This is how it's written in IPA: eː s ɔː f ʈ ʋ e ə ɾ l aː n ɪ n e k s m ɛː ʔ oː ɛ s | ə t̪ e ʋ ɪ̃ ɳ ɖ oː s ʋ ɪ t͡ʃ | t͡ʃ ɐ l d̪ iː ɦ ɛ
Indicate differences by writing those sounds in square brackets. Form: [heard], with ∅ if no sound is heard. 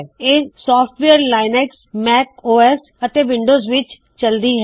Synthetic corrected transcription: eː s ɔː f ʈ ʋ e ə ɾ l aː [∅] ɪ n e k s m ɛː [k] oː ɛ s | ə t̪ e ʋ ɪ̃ ɳ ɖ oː [z] ʋ ɪ t͡ʃ | t͡ʃ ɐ l d̪ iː ɦ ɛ